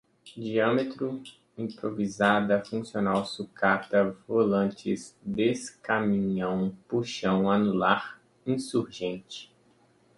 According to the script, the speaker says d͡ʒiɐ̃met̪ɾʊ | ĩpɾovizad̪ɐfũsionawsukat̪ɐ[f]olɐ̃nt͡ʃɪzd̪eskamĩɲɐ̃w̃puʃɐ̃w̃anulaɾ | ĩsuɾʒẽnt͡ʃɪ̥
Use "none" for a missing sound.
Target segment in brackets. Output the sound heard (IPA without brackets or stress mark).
v